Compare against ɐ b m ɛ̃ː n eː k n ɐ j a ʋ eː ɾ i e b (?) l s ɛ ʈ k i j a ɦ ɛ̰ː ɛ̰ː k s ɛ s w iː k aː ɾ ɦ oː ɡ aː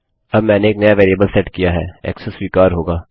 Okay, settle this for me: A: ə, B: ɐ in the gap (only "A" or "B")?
A